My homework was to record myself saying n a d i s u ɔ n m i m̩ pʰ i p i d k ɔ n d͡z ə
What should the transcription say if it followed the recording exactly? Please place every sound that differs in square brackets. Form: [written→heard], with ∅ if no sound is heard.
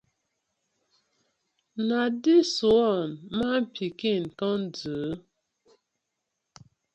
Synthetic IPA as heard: n a d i s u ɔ n m [i→a] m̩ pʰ i [p→k] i [d→n] k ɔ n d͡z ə